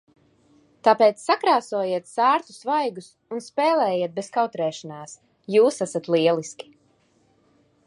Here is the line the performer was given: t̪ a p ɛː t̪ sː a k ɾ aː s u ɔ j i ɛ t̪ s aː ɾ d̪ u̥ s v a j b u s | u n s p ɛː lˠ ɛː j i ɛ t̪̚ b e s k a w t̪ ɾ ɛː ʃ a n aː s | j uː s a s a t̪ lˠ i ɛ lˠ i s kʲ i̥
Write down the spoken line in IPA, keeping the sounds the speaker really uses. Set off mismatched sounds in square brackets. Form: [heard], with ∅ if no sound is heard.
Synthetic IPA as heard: t̪ a p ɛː t̪ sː a k ɾ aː s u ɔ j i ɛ t̪ s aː ɾ [t̪] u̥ s v a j [ɡ] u s | u n s p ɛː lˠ ɛː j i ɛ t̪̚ b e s k a w t̪ ɾ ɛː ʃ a n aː s | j uː s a s a t̪ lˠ i ɛ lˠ i s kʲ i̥